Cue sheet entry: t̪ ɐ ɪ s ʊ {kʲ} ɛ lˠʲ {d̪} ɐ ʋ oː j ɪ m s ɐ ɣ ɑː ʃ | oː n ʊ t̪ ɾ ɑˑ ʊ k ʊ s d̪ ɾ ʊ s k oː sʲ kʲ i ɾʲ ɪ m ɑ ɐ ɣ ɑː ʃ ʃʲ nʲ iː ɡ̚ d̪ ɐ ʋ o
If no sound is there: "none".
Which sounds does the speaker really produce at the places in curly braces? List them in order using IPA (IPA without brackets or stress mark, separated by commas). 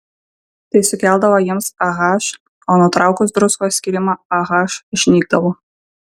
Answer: kʲ, d̪